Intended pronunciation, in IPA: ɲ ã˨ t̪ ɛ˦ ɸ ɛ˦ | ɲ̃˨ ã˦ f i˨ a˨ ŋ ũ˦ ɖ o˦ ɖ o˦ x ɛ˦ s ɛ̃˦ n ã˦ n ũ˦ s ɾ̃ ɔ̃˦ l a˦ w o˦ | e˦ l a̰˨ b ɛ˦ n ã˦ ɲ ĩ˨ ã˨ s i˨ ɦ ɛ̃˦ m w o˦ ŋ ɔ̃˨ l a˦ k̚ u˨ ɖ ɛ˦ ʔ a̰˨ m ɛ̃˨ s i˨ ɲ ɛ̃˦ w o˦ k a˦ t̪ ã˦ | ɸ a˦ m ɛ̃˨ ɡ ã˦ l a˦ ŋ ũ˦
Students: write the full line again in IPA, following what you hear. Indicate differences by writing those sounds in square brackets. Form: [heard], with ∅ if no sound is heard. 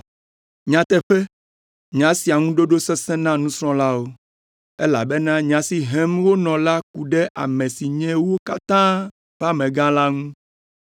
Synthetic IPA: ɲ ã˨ t̪ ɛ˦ ɸ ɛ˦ | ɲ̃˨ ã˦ [s] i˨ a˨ ŋ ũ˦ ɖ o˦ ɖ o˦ [s] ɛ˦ s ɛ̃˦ n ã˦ n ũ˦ s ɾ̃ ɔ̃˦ l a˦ w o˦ | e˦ l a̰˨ b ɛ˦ n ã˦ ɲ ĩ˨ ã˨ s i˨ ɦ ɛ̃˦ m w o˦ [n] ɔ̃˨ l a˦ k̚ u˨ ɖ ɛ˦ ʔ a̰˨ m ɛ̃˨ s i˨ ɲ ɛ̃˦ w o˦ k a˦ t̪ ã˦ | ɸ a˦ m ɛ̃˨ ɡ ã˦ l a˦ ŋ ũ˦

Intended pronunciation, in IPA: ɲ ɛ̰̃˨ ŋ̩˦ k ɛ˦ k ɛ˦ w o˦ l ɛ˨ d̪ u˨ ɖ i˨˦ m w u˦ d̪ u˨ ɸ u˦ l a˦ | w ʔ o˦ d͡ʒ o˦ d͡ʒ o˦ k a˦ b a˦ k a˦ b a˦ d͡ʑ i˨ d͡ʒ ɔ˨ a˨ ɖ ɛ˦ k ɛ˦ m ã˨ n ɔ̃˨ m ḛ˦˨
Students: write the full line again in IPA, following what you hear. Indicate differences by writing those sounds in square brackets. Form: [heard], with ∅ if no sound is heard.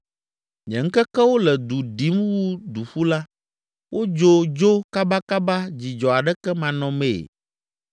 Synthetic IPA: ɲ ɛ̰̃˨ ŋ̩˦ k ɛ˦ k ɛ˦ w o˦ l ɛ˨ d̪ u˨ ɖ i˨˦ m w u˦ d̪ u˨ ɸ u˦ l a˦ | w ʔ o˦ d͡ʒ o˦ d͡ʒ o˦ k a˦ b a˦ k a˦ b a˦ d͡ʑ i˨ d͡ʒ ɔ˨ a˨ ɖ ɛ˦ k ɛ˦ m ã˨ n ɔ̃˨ m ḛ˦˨

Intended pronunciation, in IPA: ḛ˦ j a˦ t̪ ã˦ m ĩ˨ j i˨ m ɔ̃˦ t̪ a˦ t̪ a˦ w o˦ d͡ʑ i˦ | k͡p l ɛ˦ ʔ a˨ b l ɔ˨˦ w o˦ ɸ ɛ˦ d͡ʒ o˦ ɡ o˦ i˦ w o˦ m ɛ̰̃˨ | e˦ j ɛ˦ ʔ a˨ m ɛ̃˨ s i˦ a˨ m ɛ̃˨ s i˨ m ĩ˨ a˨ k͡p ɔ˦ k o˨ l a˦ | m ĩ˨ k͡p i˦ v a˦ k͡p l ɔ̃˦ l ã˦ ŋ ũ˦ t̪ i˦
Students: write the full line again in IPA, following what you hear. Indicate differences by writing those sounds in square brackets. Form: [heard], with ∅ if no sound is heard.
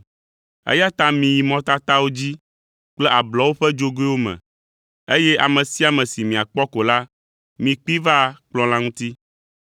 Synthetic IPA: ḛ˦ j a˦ t̪ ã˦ m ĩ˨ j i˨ m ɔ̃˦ t̪ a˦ t̪ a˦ w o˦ d͡ʑ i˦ | k͡p l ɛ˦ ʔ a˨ b l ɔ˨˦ w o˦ ɸ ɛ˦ d͡ʒ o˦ ɡ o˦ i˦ w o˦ m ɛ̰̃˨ | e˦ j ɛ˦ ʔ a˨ m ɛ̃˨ s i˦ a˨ m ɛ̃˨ s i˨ m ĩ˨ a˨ k͡p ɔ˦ k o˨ l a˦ | m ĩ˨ k͡p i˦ v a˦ k͡p l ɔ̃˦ l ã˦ ŋ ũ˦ t̪ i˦

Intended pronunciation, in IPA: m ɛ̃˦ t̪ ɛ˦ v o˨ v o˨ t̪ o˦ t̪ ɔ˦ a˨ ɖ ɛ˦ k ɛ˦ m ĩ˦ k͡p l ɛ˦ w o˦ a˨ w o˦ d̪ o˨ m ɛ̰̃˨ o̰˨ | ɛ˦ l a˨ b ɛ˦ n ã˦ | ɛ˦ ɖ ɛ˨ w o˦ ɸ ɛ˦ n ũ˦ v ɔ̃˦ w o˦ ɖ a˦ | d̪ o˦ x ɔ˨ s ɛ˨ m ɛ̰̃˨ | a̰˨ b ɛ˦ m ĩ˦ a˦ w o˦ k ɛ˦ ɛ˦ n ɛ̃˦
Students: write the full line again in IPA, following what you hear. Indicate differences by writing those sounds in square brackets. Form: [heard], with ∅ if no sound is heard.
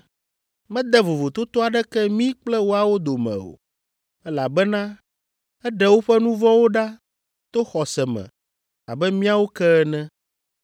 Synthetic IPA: m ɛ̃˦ [d̪] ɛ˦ v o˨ v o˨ t̪ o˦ t̪ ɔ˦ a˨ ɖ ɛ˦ k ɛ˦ m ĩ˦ k͡p l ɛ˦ w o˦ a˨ w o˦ d̪ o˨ m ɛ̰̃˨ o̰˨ | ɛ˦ l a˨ b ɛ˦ n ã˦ | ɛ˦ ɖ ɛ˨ w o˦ ɸ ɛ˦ n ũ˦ v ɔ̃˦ w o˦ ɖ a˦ | [t̪] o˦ x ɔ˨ s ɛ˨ m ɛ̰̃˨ | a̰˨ b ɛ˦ m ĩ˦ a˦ w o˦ k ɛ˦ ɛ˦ n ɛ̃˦

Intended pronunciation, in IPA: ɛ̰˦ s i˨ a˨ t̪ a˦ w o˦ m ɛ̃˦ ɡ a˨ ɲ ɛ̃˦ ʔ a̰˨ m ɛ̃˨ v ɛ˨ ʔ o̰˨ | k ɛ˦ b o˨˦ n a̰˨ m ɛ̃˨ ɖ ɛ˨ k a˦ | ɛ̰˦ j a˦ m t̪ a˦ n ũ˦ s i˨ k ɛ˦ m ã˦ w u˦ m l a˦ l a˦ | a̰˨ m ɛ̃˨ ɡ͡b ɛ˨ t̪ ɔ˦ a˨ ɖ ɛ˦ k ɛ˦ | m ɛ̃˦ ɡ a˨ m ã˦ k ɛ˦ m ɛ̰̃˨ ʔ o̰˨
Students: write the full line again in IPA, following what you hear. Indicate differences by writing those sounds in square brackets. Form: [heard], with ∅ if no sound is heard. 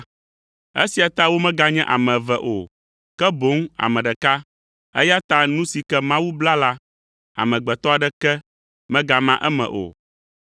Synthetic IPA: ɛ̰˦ s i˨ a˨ t̪ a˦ w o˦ m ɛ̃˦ ɡ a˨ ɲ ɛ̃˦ ʔ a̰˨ m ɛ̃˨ v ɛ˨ ʔ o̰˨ | k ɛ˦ b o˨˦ [ŋ] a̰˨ m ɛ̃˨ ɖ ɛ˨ k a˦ | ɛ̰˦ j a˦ [∅] t̪ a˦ n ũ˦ s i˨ k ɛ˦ m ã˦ w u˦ [b] l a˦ l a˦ | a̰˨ m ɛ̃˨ ɡ͡b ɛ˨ t̪ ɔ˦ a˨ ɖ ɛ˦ k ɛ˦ | m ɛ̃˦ ɡ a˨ m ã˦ [ʔ] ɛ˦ m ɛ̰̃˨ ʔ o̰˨

